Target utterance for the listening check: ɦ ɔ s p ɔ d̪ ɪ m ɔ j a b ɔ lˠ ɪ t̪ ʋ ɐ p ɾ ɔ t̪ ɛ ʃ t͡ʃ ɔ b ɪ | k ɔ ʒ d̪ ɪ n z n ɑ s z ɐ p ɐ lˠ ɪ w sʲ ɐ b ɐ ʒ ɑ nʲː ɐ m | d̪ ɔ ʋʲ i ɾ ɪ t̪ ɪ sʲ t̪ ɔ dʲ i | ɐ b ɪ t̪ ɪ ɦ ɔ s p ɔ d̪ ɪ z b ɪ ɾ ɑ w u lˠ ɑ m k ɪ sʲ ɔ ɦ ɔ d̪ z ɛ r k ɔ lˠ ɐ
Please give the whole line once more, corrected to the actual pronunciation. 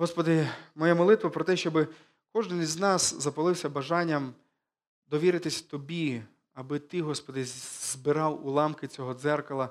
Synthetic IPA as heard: ɦ ɔ s p ɔ d̪ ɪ m ɔ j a m ɔ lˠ ɪ t̪ ʋ ɐ p ɾ ɔ t̪ ɛ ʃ t͡ʃ ɔ b ɪ | k ɔ ʒ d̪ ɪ n z n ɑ s z ɐ p ɐ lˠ ɪ w sʲ ɐ b ɐ ʒ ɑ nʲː ɐ m | d̪ ɔ ʋʲ i ɾ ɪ t̪ ɪ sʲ t̪ ɔ bʲ i | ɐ b ɪ t̪ ɪ ɦ ɔ s p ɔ d̪ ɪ z b ɪ ɾ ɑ w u lˠ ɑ m k ɪ t͡sʲ ɔ ɦ ɔ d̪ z ɛ r k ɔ lˠ ɐ